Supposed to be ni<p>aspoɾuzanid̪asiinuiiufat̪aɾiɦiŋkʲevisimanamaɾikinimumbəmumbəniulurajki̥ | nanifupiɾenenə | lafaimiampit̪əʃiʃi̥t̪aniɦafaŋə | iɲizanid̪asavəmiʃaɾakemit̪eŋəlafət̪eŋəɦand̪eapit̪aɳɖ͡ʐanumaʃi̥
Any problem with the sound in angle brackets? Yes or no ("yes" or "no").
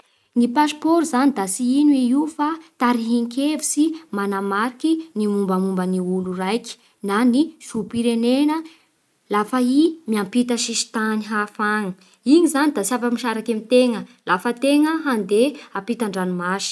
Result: no